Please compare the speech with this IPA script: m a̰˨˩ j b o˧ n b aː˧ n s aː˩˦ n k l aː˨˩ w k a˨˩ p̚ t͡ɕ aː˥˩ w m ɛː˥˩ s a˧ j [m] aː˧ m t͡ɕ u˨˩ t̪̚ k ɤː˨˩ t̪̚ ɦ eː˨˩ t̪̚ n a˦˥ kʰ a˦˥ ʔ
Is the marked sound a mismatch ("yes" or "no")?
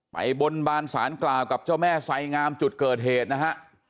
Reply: yes